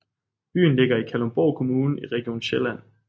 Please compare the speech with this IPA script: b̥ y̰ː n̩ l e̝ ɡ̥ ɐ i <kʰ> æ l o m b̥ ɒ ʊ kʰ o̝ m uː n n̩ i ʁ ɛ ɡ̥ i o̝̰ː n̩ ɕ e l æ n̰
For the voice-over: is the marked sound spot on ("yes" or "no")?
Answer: yes